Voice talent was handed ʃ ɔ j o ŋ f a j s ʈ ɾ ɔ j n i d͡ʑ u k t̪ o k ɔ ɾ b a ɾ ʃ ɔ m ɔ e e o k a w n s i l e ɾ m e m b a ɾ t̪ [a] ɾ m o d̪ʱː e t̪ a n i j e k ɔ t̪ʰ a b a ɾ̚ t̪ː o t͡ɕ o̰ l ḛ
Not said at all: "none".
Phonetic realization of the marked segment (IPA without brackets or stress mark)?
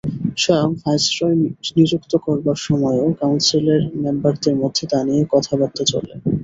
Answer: e